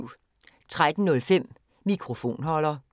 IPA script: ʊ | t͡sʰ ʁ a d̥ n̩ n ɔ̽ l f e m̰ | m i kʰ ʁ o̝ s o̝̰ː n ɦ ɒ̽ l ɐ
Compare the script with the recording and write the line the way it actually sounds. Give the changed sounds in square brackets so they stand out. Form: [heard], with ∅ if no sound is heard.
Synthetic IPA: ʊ | t͡sʰ ʁ a d̥ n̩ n ɔ̽ l f e m̰ | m i kʰ ʁ o̝ [f] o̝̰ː n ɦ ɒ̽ l ɐ